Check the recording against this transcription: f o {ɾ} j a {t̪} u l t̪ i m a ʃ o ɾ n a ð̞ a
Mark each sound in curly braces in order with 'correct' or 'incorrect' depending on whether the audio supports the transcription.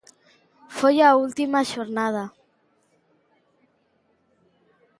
incorrect: none, incorrect: none

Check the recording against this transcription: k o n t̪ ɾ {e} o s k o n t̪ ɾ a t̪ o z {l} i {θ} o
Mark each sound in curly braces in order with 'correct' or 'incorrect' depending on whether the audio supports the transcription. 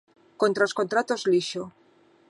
incorrect: a, correct, incorrect: ʃ

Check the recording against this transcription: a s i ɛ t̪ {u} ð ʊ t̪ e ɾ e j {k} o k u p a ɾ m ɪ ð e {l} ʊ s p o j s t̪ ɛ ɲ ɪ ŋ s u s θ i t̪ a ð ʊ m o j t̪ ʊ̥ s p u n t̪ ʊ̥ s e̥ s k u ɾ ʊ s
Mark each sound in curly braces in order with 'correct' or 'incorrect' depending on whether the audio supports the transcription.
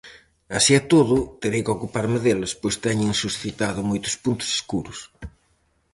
incorrect: o, correct, correct

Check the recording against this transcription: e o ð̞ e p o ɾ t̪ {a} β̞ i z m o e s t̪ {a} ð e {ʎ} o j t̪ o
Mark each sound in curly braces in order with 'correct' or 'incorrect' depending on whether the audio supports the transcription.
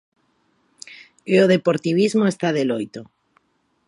incorrect: i, correct, incorrect: l

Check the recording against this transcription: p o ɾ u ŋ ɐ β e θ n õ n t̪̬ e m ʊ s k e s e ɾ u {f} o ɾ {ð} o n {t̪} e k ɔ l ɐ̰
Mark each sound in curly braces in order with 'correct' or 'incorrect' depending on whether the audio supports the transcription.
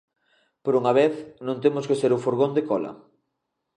correct, incorrect: ɣ, incorrect: d̪

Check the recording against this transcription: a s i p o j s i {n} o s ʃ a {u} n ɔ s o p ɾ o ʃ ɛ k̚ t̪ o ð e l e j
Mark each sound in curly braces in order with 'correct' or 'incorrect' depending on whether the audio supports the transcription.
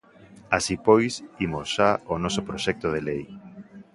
incorrect: m, incorrect: o

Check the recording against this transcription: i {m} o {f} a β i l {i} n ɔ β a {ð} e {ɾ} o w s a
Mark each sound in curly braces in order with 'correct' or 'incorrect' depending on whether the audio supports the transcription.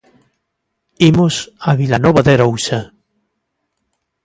correct, incorrect: s, incorrect: a, correct, correct

